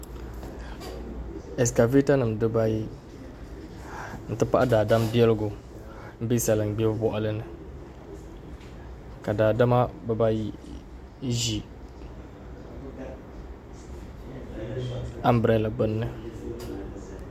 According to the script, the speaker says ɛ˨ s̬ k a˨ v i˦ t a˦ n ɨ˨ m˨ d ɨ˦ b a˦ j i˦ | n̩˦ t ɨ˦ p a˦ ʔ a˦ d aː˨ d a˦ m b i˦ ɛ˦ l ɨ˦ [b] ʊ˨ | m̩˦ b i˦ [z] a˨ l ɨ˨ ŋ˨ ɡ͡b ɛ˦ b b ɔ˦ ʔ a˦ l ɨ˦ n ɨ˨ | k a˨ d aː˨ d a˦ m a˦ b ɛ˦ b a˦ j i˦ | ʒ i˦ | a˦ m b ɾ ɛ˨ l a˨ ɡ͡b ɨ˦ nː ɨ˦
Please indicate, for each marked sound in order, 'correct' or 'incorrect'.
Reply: incorrect, incorrect

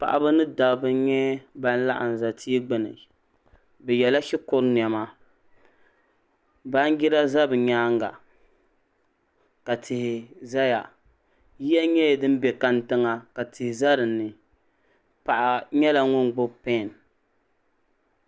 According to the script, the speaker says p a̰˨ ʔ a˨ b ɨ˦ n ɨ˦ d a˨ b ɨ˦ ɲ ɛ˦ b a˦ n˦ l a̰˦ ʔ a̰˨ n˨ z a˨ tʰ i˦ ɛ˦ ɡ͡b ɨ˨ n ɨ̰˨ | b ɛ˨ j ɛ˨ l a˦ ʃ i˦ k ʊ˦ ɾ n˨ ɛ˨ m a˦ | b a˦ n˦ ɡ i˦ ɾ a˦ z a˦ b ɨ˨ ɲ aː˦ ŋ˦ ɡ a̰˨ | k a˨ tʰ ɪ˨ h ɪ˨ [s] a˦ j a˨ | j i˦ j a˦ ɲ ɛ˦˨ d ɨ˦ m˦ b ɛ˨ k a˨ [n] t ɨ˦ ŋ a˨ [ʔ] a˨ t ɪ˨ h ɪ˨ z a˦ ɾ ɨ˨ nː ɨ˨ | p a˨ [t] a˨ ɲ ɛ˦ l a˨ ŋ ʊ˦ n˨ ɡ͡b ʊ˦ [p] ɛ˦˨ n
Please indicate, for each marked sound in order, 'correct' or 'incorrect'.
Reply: incorrect, correct, incorrect, incorrect, correct

